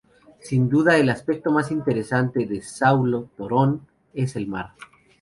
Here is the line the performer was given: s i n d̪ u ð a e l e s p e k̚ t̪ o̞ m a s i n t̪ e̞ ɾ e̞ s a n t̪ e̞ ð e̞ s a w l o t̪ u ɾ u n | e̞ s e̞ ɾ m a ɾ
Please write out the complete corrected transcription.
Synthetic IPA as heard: s i n d̪ u ð a e l a s p e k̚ t̪ o̞ m a s i n t̪ e̞ ɾ e̞ s a n t̪ e̞ ð e̞ s a w l o t̪ o ɾ o n | e̞ s e̞ l m a ɾ